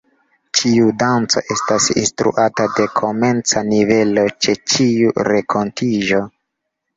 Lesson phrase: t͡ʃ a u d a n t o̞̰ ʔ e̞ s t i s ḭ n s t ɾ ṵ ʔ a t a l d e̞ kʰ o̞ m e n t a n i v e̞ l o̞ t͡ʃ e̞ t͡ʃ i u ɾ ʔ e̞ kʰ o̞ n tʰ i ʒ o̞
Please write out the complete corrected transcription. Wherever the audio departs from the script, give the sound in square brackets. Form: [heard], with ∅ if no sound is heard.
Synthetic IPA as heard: t͡ʃ [i] u d a n [t͡s] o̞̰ ʔ e̞ s t [a] s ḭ n s t ɾ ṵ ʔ a t a [∅] d e̞ kʰ o̞ m e n [t͡s] a n i v e̞ l o̞ t͡ʃ e̞ t͡ʃ i u ɾ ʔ e̞ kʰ o̞ n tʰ i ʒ o̞